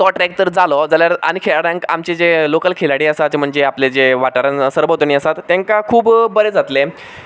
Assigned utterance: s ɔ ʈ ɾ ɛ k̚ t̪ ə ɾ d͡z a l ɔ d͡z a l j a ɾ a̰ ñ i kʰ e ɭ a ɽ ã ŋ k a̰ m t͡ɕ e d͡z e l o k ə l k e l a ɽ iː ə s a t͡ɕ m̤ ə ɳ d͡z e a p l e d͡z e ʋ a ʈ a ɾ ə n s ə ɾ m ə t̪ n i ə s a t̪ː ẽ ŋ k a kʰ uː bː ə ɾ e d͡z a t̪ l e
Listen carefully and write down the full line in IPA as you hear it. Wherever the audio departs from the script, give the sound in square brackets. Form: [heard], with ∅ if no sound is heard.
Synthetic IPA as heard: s ɔ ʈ ɾ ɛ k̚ t̪ ə ɾ d͡z a l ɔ d͡z a l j a ɾ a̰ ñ i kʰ e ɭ a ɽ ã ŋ k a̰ m t͡ɕ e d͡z e l o k ə l [kʰ] e l a ɽ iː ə s a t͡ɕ m̤ ə ɳ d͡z e a p l e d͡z e ʋ a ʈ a ɾ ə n s ə ɾ [b] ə t̪ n i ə s a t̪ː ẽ ŋ k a kʰ uː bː ə ɾ e d͡z a t̪ l e